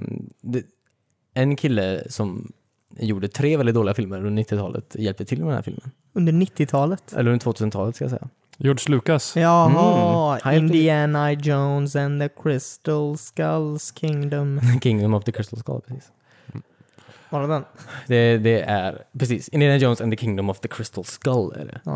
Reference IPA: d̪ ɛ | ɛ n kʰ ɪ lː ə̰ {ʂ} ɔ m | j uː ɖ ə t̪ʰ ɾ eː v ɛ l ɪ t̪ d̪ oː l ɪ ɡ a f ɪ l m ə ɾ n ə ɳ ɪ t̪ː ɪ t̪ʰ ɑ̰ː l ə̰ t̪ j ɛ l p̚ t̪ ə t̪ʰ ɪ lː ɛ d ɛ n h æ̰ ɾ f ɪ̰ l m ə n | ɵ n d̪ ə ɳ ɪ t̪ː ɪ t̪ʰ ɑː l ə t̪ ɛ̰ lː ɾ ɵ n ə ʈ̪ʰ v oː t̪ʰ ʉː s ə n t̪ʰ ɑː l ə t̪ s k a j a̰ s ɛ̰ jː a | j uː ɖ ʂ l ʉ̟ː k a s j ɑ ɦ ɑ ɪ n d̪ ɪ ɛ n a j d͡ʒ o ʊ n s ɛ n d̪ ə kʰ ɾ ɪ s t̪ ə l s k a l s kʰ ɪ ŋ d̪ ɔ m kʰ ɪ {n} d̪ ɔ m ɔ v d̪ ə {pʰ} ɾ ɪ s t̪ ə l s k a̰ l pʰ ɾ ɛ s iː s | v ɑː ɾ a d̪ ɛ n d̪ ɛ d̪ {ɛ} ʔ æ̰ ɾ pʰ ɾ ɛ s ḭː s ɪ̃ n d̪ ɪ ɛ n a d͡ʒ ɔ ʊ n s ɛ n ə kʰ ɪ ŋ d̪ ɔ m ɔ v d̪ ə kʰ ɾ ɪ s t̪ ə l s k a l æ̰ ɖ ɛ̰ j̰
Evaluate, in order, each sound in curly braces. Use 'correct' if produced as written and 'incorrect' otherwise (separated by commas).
incorrect, incorrect, incorrect, correct